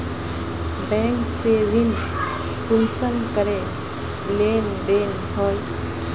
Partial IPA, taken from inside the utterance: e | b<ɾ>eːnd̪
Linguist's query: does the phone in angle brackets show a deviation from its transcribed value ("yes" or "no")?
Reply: yes